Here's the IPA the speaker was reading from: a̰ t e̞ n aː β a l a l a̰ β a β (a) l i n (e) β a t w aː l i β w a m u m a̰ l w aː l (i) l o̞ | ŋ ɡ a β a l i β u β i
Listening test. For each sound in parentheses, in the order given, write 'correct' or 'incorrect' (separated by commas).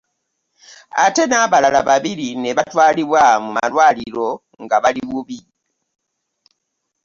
incorrect, correct, correct